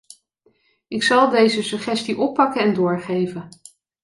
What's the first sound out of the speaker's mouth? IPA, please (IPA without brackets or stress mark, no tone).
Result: ɪ